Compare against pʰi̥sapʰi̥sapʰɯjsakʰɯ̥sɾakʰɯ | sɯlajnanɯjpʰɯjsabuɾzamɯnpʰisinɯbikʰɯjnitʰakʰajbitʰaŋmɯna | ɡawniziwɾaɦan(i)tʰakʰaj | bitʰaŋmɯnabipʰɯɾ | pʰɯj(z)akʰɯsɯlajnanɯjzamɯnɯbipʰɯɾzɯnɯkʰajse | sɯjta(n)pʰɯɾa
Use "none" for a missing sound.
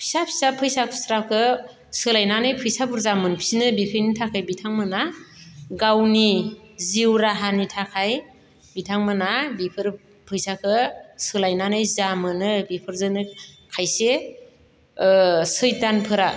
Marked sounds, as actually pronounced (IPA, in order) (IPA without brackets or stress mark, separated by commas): i, s, n